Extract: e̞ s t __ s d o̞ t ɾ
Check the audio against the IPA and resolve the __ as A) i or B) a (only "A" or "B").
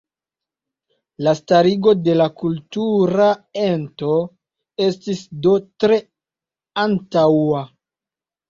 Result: A